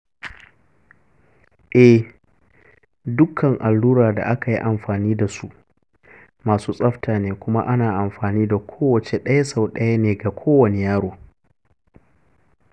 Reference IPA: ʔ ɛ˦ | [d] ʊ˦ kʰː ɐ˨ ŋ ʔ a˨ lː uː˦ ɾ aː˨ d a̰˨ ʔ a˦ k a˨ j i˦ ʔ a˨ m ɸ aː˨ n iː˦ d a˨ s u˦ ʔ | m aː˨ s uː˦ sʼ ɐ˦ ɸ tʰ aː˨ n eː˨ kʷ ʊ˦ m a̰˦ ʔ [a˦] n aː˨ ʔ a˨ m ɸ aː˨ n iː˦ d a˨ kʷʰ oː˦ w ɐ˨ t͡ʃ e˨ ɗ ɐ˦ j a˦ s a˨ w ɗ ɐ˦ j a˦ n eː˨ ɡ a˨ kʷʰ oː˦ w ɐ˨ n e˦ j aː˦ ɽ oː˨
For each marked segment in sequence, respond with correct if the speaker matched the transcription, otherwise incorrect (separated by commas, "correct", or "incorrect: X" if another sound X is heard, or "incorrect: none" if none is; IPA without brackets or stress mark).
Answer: correct, correct